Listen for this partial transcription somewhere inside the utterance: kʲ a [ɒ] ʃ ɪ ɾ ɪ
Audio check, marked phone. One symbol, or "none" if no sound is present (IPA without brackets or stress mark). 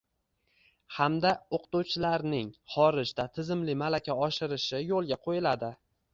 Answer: ɒ